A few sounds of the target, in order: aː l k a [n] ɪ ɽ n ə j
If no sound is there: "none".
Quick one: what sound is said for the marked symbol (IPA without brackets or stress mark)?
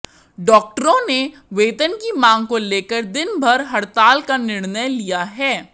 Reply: n